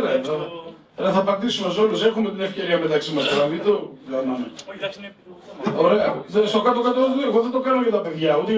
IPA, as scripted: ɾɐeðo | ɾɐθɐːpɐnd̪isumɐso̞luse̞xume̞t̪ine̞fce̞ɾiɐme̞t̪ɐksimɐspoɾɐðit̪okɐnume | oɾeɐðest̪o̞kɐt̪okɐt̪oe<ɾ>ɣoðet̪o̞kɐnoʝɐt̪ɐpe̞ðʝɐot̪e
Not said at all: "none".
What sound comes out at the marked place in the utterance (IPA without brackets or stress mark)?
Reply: none